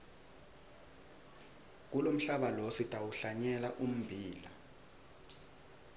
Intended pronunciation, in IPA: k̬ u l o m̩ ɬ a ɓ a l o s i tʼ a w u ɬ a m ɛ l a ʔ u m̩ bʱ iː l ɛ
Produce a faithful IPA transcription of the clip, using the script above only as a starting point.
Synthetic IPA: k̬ u l o m̩ ɬ a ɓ a l o s i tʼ a w u ɬ a ɲ ɛ l a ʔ u m̩ bʱ iː l a

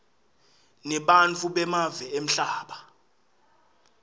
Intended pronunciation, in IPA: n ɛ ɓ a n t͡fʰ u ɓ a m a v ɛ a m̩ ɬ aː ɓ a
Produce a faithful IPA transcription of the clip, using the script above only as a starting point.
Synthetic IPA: n ɛ ɓ a n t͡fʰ u ɓ ɛ m a v ɛ e m̩ ɬ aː ɓ a

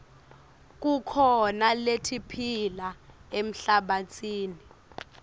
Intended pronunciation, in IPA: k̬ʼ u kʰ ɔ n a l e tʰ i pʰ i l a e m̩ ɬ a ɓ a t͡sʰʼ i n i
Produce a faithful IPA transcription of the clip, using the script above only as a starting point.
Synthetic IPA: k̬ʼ u kʰ ɔ n a l e tʰ i pʰ i l a e m̩ ɬ a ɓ a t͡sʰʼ iː n i

